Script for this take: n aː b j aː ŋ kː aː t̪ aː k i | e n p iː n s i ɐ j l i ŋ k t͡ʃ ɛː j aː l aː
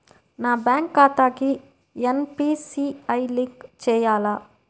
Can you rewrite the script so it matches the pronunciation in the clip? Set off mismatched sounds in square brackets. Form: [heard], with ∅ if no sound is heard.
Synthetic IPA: n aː b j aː ŋ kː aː t̪ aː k i | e n p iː [∅] s i ɐ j l i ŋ k t͡ʃ ɛː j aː l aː